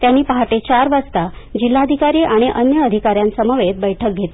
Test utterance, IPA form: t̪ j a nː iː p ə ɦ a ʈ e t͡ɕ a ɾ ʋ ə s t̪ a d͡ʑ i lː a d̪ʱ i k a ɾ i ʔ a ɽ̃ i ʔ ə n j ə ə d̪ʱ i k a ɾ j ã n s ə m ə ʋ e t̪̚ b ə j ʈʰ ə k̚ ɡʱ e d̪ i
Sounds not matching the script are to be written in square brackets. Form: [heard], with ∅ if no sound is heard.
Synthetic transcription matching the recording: t̪ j a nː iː p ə ɦ a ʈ e t͡ɕ a ɾ ʋ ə s t̪ a d͡ʑ i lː a d̪ʱ i k a ɾ i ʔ a ɽ̃ i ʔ ə n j ə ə d̪ʱ i k a ɾ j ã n s ə m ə ʋ e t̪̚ b ə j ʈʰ ə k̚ ɡʱ e [t̪] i